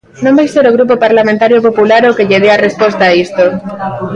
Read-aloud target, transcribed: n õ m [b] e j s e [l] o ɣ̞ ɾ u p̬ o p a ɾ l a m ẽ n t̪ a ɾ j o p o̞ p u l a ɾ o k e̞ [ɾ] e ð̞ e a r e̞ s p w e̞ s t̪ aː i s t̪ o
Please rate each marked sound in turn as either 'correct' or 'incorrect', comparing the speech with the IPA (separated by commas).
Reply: correct, incorrect, incorrect